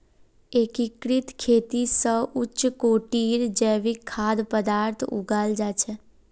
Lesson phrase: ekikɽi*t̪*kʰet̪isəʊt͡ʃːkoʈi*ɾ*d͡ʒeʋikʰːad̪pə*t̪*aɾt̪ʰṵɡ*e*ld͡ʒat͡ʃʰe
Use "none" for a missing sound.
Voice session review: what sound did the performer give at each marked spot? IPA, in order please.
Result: t̪, ɾ, d̪, a

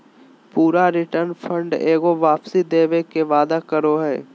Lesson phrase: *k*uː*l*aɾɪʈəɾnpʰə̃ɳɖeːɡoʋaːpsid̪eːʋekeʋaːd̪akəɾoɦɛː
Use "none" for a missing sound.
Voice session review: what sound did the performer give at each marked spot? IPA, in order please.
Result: p, ɾ

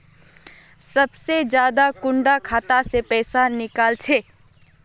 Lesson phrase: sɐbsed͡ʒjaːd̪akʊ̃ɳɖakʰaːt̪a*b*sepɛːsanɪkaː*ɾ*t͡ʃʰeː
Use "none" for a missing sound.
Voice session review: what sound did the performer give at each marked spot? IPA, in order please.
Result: none, l

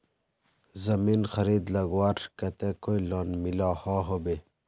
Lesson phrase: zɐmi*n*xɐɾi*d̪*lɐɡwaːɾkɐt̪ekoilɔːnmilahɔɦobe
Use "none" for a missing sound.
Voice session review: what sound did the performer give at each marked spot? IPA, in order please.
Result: n, d̪

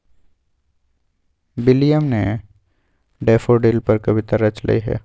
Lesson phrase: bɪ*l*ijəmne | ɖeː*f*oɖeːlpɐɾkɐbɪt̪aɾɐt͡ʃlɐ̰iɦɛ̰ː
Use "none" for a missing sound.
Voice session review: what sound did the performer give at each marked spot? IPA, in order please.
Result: l, f

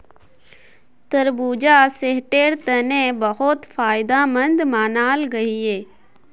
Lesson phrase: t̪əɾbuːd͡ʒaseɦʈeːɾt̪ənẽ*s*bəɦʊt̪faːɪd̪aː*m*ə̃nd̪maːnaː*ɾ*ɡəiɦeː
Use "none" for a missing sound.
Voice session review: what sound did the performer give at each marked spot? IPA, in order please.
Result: none, m, l

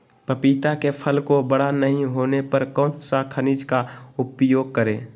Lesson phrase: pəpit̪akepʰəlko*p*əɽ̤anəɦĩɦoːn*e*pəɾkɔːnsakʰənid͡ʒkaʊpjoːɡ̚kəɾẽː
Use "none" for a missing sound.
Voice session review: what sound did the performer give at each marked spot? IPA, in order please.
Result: b, e

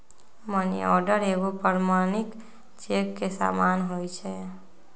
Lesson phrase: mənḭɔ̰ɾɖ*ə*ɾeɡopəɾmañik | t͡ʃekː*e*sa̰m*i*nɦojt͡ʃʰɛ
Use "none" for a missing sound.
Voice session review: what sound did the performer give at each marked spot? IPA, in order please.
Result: ə, e, a

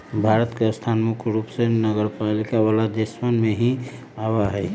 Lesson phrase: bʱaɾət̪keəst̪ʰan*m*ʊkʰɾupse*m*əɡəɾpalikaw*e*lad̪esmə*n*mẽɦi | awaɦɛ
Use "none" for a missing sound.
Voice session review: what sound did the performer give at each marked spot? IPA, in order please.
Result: m, n, a, n

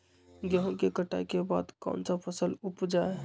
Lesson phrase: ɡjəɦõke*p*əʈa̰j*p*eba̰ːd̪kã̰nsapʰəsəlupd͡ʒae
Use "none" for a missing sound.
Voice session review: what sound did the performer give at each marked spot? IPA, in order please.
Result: k, k

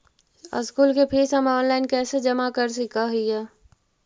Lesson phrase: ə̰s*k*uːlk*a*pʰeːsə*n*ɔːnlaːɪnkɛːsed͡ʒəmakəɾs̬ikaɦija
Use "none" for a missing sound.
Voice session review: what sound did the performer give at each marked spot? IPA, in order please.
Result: k, e, m

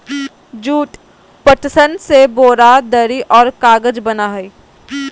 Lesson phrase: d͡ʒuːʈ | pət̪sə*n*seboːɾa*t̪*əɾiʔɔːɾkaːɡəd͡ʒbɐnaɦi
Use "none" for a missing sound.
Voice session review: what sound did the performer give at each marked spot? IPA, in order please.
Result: n, d̪

